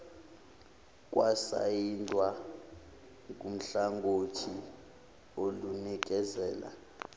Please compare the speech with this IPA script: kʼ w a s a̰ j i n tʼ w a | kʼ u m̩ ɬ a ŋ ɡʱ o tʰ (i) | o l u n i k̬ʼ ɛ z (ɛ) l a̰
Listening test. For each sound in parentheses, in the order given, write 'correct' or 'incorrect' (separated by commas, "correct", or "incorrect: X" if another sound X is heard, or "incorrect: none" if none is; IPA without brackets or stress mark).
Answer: correct, incorrect: ɛː